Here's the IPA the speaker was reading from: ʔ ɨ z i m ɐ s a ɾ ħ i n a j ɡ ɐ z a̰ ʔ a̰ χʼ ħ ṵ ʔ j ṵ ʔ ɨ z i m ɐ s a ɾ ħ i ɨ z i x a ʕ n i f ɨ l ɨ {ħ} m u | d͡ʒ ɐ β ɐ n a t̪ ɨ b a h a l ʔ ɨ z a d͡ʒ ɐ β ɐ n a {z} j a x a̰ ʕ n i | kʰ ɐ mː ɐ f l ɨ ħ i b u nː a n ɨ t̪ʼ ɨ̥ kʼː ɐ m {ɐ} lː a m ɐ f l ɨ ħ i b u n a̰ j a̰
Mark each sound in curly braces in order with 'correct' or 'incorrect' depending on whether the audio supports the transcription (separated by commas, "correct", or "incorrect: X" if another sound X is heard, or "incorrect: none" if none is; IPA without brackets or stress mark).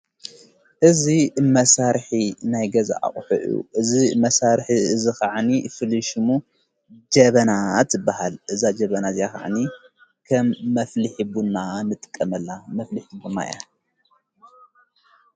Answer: incorrect: ʃ, correct, correct